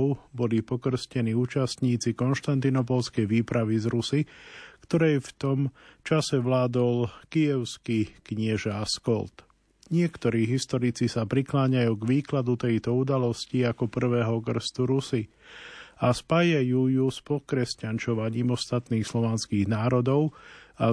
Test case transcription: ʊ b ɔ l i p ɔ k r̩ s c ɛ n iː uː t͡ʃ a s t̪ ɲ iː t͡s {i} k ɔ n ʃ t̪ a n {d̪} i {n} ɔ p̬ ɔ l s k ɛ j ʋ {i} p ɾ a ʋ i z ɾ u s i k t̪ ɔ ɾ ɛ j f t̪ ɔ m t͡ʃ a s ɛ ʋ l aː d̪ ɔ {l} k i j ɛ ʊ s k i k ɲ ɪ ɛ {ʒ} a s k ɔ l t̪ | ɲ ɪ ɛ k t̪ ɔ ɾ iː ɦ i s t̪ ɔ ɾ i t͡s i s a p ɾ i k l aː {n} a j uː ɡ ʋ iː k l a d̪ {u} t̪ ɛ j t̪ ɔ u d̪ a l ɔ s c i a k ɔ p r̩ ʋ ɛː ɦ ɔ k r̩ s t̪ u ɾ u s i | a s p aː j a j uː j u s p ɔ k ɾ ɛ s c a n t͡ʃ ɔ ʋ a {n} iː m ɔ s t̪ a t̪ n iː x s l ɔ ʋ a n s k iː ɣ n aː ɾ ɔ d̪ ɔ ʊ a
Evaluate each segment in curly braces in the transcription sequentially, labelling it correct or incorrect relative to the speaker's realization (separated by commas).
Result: correct, incorrect, correct, incorrect, correct, correct, incorrect, correct, incorrect